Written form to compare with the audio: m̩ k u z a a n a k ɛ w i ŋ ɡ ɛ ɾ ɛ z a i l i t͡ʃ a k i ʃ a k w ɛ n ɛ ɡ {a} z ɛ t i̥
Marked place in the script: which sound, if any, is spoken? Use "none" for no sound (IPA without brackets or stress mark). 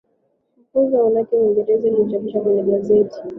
a